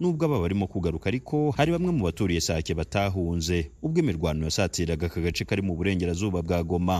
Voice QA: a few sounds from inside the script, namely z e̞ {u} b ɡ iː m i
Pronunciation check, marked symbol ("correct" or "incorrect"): correct